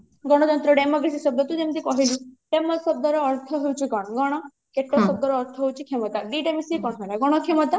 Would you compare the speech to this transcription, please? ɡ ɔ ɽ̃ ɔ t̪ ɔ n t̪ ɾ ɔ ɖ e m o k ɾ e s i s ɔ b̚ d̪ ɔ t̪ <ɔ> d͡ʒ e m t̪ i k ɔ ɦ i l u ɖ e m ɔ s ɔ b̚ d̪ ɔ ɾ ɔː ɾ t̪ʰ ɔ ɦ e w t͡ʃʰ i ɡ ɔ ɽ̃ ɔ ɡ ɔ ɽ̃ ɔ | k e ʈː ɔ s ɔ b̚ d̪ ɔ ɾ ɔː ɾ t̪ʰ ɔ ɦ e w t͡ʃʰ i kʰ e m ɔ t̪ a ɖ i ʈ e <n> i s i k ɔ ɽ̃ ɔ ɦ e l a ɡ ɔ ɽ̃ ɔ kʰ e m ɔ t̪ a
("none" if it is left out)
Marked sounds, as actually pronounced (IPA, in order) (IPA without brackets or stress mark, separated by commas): u, m